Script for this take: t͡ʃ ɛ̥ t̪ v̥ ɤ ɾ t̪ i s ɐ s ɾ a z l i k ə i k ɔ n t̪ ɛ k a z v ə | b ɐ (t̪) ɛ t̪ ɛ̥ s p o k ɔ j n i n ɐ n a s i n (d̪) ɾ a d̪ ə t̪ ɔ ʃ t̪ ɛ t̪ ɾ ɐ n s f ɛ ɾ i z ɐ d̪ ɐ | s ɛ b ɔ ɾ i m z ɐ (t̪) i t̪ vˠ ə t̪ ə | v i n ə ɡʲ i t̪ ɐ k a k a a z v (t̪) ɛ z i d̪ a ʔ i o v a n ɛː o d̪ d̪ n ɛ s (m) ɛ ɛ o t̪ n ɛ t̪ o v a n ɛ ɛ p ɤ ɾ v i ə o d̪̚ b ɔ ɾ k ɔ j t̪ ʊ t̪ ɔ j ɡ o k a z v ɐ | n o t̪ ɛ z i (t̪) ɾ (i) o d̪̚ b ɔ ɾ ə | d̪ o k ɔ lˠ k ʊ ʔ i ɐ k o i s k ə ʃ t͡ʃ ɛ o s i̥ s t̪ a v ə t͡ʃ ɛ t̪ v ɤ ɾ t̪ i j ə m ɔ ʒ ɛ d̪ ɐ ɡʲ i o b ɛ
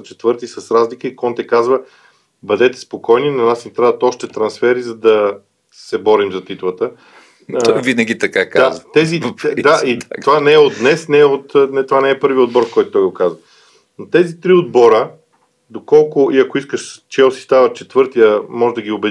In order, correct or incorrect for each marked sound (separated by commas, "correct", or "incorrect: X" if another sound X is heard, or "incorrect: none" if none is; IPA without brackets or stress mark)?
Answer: incorrect: d̪, incorrect: t̪, correct, correct, incorrect: n, correct, correct